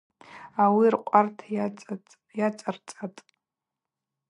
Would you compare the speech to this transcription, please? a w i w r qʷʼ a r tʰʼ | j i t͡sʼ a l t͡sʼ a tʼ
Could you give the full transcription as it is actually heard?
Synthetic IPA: a w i r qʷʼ a r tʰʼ | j a t͡sʼ a r t͡sʼ a tʼ

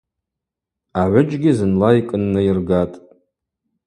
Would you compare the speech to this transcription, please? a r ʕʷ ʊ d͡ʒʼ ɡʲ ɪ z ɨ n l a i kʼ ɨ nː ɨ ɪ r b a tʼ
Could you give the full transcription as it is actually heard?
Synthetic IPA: a ʕʷ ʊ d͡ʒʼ ɡʲ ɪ z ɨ n l a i kʼ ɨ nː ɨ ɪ r ɡ a tʼ

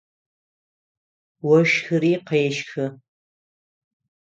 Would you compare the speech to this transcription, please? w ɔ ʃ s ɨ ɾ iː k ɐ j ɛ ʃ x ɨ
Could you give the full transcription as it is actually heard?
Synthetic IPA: w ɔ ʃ x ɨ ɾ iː q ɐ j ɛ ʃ x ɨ

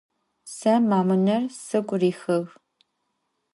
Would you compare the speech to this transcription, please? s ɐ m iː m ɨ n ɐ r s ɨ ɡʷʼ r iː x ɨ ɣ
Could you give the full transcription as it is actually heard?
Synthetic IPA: s ɐ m aː m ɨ n ɐ r s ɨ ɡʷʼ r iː x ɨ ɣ

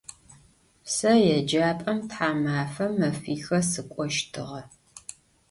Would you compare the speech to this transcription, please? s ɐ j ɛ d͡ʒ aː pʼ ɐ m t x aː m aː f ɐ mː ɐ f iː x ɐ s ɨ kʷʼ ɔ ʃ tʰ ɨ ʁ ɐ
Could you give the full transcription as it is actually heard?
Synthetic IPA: s ɐ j ɛ d͡ʒ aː pʼ ɐ m t ħ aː m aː f ɐ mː ɐ f iː x ɐ s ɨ kʷʼ ɔ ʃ tʰ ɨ ʁ ɐ

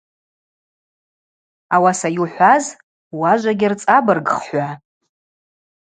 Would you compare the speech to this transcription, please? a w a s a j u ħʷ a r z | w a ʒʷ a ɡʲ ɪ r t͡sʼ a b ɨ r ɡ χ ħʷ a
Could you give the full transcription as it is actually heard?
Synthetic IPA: a w a s a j u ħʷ a z | w a ʒʷ a ɡʲ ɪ r t͡sʼ a b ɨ r ɡ χ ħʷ a

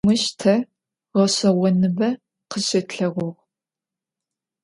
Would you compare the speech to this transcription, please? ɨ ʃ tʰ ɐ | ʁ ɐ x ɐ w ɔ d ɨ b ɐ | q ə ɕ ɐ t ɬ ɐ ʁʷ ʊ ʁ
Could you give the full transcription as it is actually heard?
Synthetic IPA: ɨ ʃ tʰ ɐ | ʁ ɐ ɕ ɐ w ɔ n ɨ b ɐ | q ə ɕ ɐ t ɬ ɐ ʁʷ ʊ ʁ

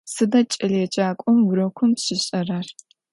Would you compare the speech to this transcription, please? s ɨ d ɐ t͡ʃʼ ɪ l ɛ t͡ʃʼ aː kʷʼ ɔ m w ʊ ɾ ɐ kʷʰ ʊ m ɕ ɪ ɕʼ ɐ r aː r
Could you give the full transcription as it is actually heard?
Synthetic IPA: s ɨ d ɐ t͡ʃʼ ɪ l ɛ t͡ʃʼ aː kʷʼ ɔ m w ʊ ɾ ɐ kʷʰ ʊ m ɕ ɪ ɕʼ ɐ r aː r

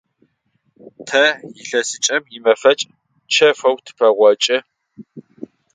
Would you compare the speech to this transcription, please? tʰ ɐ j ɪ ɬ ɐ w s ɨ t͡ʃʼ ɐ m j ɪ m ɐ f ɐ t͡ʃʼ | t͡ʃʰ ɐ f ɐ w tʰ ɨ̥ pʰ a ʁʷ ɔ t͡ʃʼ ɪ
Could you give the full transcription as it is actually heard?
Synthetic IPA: tʰ ɐ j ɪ ɬ ɐ s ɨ t͡ʃʼ ɐ m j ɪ m ɐ f ɐ t͡ʃʼ | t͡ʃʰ ɐ f ɐ w tʰ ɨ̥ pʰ ɐ ʁʷ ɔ t͡ʃʼ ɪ

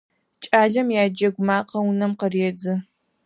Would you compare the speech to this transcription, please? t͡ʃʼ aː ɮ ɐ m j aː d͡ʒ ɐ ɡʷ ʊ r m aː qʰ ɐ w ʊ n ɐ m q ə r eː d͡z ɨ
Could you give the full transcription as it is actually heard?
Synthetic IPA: t͡ʃʼ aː ɮ ɐ m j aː d͡ʒ ɐ ɡʷ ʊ m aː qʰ ɐ w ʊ n ɐ m q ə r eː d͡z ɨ

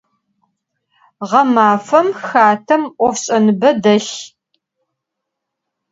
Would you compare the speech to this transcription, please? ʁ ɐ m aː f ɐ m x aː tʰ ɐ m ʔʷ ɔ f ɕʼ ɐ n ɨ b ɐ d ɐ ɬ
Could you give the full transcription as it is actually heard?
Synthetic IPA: ʁ ɐ m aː f ɐ m x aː tʰ ɐ m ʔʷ ɔ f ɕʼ ɐ n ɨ b ɐ d ɐ ɬ

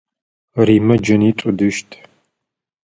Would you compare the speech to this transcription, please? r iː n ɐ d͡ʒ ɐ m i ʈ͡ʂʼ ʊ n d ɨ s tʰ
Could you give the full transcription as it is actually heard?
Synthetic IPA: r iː m ɐ d͡ʒ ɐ n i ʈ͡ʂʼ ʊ d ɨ ʃ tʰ

